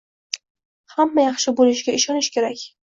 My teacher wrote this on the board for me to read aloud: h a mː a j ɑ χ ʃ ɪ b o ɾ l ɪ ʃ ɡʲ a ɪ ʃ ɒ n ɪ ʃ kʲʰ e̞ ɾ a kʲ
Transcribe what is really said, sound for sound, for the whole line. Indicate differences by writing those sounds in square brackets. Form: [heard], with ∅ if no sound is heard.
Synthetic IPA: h a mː a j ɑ χ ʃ ɪ b o [∅] l ɪ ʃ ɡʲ a ɪ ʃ ɒ n ɪ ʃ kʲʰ e̞ ɾ a kʲ